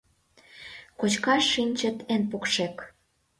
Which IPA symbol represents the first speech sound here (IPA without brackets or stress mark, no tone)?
k